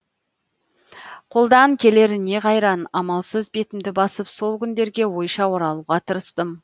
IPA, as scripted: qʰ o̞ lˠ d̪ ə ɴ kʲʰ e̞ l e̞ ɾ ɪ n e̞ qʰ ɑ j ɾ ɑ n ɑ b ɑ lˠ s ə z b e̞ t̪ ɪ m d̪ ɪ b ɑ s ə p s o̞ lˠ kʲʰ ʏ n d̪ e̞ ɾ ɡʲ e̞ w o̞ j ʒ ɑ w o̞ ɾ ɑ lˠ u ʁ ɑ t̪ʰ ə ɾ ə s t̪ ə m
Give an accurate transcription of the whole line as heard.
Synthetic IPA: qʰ o̞ lˠ d̪ ɑ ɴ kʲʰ e̞ l e̞ ɾ ɪ n e̞ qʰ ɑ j ɾ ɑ n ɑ m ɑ lˠ s ə z b e̞ t̪ ɪ m d̪ ɪ b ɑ s ə p s o̞ lˠ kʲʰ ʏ n d̪ e̞ ɾ ɡʲ e̞ w o̞ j ʃ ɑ w o̞ ɾ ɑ lˠ u ʁ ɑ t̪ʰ ə ɾ ə s t̪ ə m